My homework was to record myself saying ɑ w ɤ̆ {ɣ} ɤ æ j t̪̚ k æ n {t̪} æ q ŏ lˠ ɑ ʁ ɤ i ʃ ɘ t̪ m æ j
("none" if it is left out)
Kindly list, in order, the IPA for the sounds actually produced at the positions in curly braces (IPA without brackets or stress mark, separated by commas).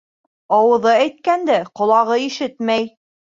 ð, d̪